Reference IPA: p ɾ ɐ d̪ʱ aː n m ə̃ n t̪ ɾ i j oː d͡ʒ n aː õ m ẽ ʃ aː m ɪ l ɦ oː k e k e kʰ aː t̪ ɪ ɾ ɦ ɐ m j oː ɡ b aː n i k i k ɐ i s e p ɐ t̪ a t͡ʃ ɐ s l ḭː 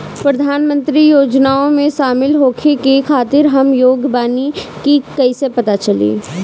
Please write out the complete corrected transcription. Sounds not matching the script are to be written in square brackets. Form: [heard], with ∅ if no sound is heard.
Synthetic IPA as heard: p ɾ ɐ d̪ʱ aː n m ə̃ n t̪ ɾ i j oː d͡ʒ n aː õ m ẽ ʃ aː m ɪ l ɦ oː [kʰ] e k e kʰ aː t̪ ɪ ɾ ɦ ɐ m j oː ɡ b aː n i k i k ɐ i s e p ɐ t̪ a t͡ʃ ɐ [∅] l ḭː

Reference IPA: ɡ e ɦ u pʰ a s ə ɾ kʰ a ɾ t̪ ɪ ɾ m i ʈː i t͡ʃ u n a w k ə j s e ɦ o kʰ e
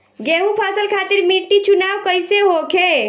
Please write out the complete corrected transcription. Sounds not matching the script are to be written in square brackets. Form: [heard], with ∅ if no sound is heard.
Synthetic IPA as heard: ɡ e ɦ u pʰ a s ə [l] kʰ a [∅] t̪ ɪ ɾ m i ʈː i t͡ʃ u n a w k ə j s e ɦ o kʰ e

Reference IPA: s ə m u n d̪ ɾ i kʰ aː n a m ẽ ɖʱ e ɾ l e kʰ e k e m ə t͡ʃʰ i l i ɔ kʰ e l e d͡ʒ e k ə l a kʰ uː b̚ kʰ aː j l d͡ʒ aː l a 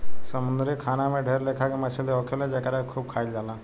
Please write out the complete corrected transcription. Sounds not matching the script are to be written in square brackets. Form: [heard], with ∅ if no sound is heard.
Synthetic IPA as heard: s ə m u n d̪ ɾ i kʰ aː n a m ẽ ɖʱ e ɾ l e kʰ [a] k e m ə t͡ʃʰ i l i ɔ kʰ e l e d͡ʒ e k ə [ɾ] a kʰ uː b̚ kʰ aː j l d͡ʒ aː l a

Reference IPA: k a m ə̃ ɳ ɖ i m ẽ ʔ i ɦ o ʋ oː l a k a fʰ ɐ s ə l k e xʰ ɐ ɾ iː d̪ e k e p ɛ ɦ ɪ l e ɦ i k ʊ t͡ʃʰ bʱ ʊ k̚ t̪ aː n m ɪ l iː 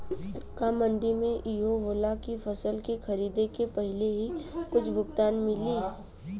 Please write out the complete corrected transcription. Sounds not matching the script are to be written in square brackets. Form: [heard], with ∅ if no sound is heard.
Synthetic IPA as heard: k a m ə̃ ɳ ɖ i m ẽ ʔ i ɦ o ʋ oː l a k [i] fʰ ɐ s ə l k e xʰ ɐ ɾ iː d̪ e k e p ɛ ɦ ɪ l e ɦ i k ʊ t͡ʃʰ bʱ ʊ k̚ t̪ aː n m ɪ l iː

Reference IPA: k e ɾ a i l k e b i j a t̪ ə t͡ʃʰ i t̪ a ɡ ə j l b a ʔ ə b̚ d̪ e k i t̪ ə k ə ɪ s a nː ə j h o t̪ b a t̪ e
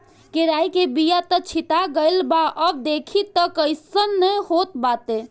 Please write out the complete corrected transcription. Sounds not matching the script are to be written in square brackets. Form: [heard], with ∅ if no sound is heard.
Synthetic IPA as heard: k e ɾ a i [∅] k e b i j a t̪ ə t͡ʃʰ i t̪ a ɡ ə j l b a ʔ ə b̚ d̪ e [kʰ] i t̪ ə k ə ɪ s [ə] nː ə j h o t̪ b a t̪ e

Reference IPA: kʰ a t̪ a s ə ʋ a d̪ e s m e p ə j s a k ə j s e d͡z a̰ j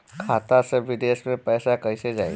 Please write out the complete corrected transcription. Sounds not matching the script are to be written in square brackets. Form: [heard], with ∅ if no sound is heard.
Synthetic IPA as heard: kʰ a t̪ a s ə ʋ [i] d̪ e s m e p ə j s a k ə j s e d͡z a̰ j

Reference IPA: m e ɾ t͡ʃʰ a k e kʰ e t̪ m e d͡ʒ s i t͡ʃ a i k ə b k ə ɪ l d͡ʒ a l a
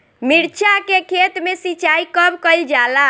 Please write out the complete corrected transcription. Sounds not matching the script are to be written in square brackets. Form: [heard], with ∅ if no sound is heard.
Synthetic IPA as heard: m [i] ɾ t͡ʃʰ a k e kʰ e t̪ m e [∅] s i t͡ʃ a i k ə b k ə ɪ l d͡ʒ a l a

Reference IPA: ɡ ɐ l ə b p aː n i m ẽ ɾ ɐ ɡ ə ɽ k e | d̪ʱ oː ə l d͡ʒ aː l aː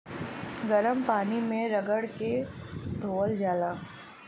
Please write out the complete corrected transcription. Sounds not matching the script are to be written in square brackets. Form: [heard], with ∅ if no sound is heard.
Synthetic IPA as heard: ɡ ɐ [ɾ] ə [m] p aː n i m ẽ ɾ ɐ ɡ ə ɽ k e | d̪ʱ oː ə l d͡ʒ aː l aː

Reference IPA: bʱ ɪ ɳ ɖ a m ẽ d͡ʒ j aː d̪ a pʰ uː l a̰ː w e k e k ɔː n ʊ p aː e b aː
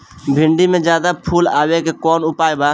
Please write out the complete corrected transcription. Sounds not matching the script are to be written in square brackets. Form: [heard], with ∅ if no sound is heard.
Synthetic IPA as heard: bʱ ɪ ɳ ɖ [i] m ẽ d͡ʒ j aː d̪ a pʰ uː l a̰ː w e k e k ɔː n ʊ p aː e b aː

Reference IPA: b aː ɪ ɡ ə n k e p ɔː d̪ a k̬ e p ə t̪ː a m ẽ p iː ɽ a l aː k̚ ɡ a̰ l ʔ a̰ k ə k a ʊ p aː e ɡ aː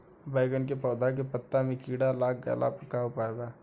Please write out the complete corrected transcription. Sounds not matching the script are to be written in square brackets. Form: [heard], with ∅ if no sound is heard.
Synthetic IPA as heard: b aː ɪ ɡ ə n k e p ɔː d̪ a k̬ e p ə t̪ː a m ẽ [k] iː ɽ a l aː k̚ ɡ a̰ l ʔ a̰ [p] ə k a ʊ p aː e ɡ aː

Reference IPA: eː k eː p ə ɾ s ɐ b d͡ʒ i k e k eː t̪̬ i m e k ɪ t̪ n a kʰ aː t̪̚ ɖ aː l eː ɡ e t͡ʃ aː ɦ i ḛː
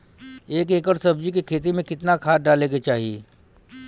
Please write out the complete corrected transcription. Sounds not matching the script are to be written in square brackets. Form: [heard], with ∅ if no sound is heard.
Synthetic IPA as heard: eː k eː [k] ə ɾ s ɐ b d͡ʒ i k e [kʰ] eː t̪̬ i m [ẽ] k ɪ t̪ n a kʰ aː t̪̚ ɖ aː l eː ɡ e t͡ʃ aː ɦ i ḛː

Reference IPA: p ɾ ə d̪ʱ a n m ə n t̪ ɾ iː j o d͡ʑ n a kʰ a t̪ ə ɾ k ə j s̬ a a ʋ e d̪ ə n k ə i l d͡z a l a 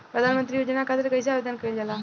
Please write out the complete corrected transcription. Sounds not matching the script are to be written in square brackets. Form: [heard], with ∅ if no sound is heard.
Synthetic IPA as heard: p ɾ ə d̪ʱ a n m ə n t̪ ɾ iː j o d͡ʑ n a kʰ a t̪ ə ɾ k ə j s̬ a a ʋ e d̪ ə n k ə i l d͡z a l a

